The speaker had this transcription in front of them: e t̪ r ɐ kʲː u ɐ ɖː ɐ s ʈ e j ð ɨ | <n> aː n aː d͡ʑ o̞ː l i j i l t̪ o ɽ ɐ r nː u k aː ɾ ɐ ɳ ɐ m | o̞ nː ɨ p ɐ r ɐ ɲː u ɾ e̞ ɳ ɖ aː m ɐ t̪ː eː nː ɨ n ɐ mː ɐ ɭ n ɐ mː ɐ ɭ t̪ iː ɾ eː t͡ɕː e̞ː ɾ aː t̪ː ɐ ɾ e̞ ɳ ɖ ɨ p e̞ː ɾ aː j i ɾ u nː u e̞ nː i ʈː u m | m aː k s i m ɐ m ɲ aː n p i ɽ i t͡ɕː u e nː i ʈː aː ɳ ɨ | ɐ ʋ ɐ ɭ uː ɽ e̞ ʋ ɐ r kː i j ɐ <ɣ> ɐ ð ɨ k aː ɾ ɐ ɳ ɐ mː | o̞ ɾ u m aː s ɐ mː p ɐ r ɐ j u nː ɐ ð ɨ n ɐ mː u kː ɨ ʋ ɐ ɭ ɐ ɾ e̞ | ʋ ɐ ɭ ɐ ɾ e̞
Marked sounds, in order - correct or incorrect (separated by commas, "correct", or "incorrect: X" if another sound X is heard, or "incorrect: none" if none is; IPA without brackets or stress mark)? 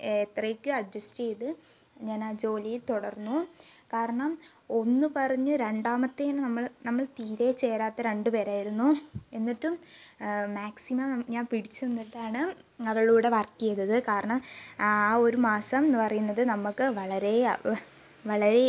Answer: incorrect: ɲ, incorrect: ð